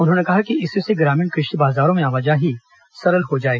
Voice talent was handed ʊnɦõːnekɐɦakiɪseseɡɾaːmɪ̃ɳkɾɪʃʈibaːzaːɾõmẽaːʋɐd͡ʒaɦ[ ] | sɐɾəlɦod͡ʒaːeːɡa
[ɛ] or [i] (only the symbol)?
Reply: i